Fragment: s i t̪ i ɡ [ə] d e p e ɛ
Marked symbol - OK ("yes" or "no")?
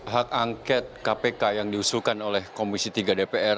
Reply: no